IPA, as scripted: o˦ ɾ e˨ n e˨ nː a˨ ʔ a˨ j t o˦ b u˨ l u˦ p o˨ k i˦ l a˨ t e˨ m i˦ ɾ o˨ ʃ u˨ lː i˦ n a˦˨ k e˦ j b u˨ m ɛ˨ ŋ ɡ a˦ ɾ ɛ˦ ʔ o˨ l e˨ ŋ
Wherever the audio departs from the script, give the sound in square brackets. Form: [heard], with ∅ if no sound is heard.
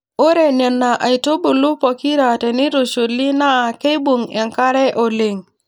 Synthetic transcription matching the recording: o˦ ɾ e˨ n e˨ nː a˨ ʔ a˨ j t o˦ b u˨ l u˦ p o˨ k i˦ [ɾ] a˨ t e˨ [n] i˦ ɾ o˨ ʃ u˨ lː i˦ n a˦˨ k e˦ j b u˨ [ŋ] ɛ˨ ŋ [k] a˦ ɾ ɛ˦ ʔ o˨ l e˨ ŋ